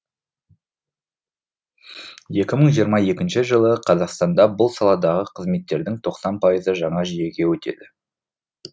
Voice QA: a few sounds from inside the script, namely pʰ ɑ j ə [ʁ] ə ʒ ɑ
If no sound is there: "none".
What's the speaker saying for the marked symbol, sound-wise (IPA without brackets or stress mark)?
z